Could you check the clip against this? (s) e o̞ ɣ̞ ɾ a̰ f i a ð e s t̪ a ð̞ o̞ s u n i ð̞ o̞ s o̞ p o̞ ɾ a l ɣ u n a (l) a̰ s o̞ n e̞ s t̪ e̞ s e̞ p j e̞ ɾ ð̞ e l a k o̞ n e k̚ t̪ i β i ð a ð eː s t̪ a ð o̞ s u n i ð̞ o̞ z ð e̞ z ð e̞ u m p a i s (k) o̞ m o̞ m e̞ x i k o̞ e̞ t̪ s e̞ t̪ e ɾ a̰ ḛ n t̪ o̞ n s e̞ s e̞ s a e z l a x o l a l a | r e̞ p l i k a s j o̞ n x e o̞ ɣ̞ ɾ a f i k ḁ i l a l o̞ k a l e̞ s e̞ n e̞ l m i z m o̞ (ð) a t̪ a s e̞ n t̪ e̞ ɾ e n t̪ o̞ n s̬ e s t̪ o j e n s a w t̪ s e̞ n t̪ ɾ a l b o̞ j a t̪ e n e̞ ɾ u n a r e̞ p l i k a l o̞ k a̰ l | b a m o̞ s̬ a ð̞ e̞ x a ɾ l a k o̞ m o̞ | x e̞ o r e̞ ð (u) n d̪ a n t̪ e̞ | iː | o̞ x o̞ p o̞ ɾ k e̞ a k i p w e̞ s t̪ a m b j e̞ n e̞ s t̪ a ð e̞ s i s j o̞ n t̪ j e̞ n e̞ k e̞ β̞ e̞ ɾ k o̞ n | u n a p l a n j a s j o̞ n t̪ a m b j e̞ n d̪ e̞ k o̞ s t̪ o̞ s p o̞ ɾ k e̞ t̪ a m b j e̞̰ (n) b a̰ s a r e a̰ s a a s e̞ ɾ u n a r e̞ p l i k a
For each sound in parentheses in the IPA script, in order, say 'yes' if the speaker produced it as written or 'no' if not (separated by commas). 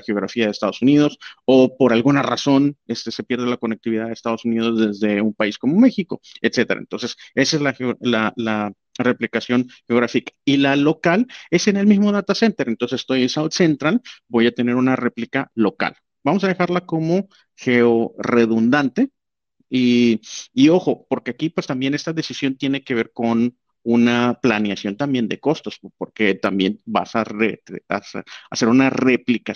no, no, yes, yes, yes, yes